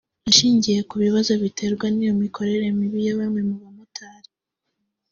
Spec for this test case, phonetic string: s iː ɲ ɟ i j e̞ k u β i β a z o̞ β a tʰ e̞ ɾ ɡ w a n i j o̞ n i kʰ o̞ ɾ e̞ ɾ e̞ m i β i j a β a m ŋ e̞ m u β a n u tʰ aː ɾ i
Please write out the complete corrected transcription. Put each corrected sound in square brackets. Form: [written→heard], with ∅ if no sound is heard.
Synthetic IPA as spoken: [s→ʃ] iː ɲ ɟ i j e̞ k u β i β a z o̞ β [a→i] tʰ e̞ ɾ ɡ w a n i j o̞ [n→m] i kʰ o̞ ɾ e̞ ɾ e̞ m i β i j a β a m ŋ e̞ m u β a [n→m] u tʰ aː ɾ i